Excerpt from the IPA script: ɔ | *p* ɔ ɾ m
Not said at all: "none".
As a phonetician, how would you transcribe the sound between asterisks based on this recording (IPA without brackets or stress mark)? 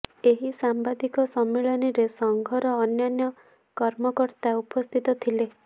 k